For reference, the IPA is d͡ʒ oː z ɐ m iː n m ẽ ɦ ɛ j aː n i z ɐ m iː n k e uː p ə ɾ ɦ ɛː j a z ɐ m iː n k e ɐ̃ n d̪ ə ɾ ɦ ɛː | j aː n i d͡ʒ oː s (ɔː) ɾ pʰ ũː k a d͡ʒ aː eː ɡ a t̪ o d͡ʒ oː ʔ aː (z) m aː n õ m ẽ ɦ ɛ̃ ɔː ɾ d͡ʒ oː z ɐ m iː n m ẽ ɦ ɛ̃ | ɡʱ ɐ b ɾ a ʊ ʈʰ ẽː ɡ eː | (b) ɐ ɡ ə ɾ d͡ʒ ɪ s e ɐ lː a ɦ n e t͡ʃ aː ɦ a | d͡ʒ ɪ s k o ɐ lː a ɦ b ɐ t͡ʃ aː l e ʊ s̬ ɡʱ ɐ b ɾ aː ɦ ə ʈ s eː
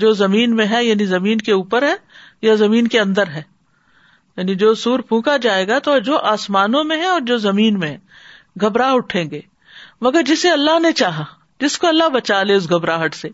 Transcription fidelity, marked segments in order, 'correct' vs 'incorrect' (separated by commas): incorrect, incorrect, incorrect